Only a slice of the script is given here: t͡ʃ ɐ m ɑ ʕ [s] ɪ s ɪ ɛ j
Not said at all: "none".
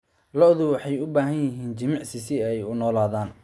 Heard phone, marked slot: s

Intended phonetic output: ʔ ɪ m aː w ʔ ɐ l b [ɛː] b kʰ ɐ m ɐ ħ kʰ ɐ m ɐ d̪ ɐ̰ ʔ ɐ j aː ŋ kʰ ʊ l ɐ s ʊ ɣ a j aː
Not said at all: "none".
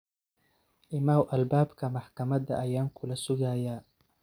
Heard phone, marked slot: aː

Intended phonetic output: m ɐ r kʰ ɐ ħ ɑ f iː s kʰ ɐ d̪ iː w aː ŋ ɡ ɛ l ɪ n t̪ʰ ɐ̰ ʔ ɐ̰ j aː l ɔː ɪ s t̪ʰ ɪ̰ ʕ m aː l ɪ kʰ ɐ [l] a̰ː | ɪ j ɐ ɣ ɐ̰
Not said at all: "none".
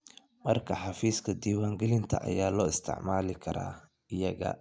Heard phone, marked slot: ɾ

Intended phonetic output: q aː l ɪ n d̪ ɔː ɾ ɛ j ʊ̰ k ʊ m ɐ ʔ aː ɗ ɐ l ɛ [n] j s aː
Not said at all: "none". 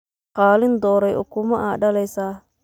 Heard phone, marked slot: none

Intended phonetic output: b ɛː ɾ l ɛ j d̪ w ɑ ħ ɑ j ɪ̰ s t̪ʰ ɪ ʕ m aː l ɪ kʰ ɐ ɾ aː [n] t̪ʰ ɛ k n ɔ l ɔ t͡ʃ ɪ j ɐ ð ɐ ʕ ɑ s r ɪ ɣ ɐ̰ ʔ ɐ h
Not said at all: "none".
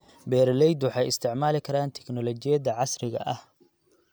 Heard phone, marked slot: n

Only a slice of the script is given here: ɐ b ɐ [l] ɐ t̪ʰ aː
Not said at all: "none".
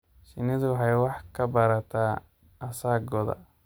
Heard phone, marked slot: ɾ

